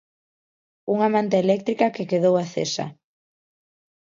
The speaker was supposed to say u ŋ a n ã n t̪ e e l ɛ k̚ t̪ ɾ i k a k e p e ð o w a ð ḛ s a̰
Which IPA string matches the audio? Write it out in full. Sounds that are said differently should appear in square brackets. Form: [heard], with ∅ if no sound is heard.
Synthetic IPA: u ŋ a [m] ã n t̪ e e l ɛ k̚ t̪ ɾ i k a k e [k] e ð o w a [θ] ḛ s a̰

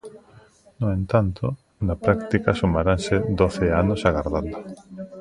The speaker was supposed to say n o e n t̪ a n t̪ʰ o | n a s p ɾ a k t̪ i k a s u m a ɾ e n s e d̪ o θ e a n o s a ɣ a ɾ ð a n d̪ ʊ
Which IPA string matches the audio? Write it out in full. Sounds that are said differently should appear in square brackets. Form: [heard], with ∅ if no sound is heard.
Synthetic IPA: n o e n t̪ a n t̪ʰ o | n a [∅] p ɾ a k t̪ i k a s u m a ɾ [a] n s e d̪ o θ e a n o s a ɣ a ɾ ð a n d̪ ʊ

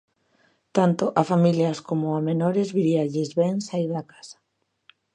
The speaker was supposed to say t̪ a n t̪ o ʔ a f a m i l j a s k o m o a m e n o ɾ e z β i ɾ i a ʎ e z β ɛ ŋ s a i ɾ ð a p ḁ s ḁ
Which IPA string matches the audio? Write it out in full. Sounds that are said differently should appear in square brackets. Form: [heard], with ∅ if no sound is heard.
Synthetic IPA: t̪ a n t̪ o ʔ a f a m i l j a s k o m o a m e n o ɾ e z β i ɾ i a ʎ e z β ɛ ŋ s a i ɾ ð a [k] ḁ s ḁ

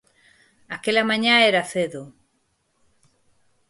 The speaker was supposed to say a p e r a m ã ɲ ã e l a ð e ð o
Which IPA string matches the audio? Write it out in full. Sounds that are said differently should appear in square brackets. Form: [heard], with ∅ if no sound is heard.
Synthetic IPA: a [k] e [l] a m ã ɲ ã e [ɾ] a [θ] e ð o

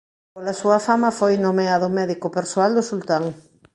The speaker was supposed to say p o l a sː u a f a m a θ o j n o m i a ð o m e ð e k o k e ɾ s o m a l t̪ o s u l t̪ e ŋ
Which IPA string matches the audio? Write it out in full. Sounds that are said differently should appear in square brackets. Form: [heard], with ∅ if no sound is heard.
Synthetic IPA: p o l a [s] u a f a m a [f] o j n o m [e] a ð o m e ð [i] k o [p] e ɾ s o [∅] a l [d̪] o s u l t̪ [a] ŋ

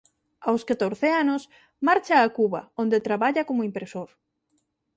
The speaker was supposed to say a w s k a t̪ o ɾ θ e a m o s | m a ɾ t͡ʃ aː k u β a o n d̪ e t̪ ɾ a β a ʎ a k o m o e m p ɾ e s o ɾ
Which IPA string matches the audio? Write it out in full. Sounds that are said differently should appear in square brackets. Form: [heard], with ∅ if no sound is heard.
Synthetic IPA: a w s k a t̪ o ɾ θ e a [n] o s | m a ɾ t͡ʃ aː k u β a o n d̪ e t̪ ɾ a β a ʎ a k o m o [i] m p ɾ e s o ɾ

